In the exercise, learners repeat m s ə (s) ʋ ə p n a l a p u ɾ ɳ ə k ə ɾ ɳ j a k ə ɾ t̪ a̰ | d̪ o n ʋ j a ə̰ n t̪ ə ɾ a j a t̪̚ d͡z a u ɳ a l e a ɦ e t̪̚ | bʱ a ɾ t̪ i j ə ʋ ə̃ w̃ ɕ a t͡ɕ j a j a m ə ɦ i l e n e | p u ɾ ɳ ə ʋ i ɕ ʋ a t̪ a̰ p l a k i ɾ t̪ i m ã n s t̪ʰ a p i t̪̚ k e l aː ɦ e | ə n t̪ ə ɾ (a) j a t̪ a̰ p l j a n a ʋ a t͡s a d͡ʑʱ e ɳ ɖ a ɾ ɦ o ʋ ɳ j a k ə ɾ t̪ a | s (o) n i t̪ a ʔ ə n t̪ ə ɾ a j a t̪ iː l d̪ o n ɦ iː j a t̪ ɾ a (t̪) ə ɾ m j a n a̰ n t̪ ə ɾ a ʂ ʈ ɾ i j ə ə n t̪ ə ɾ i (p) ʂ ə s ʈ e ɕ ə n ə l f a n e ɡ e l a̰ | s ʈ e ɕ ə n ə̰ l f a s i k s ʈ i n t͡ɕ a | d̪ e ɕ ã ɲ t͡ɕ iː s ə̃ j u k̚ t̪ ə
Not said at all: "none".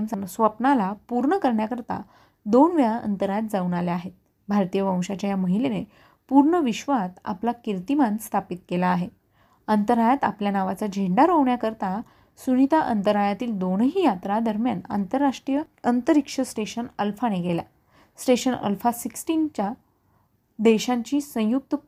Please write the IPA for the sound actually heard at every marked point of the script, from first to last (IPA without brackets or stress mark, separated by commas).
s, a, u, d̪, k